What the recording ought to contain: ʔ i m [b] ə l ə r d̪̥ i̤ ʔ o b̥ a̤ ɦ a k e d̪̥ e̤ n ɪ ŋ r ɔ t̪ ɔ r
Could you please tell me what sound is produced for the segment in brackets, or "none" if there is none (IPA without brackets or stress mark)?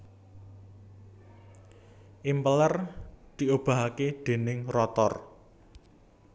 p